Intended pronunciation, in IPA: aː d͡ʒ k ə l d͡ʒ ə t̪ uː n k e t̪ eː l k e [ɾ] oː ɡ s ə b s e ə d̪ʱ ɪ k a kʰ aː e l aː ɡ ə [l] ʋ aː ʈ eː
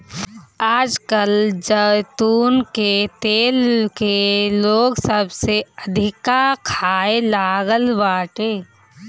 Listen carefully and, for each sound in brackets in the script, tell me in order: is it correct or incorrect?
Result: incorrect: l, correct

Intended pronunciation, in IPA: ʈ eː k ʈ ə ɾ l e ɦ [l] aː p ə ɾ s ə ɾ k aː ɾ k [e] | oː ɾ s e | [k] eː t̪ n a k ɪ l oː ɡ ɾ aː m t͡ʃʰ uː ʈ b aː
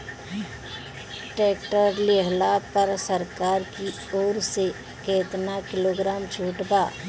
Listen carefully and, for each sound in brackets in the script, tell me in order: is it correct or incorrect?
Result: correct, incorrect: i, correct

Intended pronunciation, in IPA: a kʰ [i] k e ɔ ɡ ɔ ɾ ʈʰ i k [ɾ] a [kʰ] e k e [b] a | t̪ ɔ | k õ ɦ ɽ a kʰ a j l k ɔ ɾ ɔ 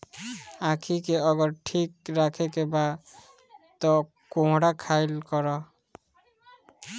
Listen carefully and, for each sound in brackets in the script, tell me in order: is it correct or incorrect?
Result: correct, correct, correct, correct

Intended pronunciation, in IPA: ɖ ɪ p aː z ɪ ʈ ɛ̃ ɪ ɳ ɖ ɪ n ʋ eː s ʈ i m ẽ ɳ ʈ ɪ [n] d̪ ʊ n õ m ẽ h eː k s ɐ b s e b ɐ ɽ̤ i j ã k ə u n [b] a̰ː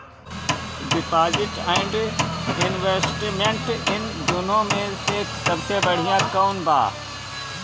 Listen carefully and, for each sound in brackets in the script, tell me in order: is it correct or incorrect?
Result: correct, correct

